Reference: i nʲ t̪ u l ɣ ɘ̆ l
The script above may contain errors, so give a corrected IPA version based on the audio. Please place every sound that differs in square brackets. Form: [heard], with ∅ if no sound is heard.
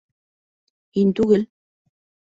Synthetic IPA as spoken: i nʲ t̪ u [∅] ɣ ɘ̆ l